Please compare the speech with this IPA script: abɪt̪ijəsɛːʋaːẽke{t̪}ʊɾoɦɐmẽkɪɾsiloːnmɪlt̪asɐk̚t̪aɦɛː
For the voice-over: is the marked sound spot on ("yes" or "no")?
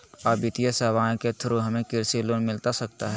no